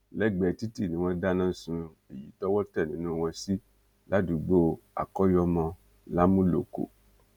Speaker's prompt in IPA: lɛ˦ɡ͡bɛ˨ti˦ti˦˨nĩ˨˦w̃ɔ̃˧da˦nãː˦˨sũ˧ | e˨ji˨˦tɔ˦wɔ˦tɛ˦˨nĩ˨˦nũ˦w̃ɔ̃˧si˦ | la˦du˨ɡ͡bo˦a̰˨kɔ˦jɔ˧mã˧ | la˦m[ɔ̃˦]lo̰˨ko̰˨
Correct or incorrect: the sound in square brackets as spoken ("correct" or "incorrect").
incorrect